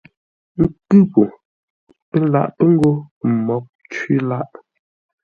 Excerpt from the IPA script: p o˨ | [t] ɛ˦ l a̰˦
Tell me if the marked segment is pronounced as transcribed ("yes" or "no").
no